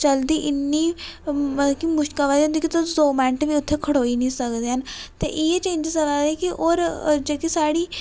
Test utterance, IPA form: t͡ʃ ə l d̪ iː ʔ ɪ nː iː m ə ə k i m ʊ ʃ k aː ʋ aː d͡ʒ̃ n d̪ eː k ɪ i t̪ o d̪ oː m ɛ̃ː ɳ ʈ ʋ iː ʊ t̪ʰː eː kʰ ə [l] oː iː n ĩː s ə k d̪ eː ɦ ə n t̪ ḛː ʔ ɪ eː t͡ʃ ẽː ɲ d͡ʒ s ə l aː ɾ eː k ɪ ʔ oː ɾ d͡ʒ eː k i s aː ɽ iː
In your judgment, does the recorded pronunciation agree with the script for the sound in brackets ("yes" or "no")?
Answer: no